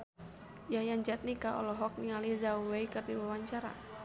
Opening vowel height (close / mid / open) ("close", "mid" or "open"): open